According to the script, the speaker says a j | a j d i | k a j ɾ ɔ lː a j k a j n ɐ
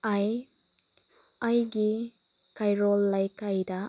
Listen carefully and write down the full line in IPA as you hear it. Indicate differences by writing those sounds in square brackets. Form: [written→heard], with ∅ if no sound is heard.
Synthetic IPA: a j | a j [d→ɡ] i | k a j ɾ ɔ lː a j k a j [n→d] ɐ